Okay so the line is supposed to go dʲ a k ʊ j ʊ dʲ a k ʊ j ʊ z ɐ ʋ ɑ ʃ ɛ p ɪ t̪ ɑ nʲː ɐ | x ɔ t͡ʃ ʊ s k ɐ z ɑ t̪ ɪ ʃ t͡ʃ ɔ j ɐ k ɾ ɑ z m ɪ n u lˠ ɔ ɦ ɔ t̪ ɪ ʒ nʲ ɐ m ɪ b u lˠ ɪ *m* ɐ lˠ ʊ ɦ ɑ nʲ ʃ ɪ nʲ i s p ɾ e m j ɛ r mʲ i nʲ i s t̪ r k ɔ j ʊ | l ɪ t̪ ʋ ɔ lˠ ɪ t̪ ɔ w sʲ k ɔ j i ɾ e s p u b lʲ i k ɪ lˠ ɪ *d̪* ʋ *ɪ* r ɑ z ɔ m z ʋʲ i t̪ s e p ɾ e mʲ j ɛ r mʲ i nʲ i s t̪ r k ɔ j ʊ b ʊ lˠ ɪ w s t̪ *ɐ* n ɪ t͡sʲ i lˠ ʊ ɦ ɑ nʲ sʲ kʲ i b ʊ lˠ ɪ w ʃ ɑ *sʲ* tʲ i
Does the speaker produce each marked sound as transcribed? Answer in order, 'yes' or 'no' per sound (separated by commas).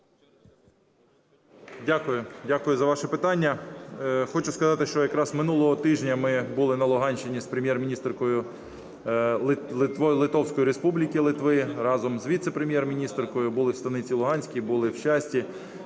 no, no, yes, yes, yes